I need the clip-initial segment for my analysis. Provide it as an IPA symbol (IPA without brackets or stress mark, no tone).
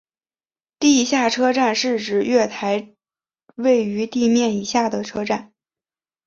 t̪